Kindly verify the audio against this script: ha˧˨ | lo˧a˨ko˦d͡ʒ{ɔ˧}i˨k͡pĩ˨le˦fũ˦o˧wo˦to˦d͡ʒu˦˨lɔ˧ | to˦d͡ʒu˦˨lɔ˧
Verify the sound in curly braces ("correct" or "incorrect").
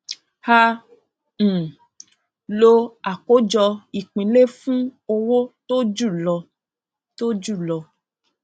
correct